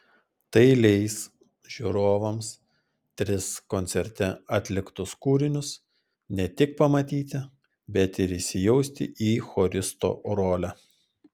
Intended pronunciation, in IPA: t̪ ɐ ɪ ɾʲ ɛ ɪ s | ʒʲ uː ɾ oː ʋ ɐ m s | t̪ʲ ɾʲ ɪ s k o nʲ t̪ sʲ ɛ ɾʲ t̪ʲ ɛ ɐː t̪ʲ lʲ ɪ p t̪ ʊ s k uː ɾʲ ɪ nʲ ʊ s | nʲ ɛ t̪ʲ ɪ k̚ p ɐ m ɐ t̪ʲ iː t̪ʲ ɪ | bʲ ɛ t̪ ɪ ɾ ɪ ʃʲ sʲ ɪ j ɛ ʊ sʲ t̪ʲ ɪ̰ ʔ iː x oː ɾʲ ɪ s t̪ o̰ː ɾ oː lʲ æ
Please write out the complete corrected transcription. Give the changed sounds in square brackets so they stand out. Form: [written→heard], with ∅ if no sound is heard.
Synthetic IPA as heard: t̪ ɐ ɪ [ɾʲ→lʲ] ɛ ɪ s | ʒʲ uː ɾ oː ʋ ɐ m s | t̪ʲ ɾʲ ɪ s k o nʲ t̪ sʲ ɛ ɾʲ t̪ʲ ɛ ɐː t̪ʲ lʲ ɪ [p→k] t̪ ʊ s k uː ɾʲ ɪ nʲ ʊ s | nʲ ɛ t̪ʲ ɪ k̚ p ɐ m ɐ t̪ʲ iː t̪ʲ ɪ | bʲ ɛ t̪ ɪ ɾ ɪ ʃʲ sʲ ɪ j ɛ ʊ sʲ t̪ʲ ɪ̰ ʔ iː x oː ɾʲ ɪ s t̪ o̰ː ɾ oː lʲ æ